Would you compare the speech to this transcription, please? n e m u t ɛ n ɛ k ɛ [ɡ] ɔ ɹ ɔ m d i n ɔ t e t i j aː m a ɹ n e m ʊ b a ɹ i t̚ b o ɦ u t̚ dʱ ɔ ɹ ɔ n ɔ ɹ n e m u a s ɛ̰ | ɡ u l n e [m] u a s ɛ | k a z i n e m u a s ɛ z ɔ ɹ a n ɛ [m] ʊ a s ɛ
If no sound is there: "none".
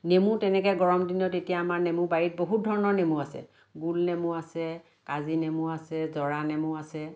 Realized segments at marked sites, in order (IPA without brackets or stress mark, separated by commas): ɡ, m, m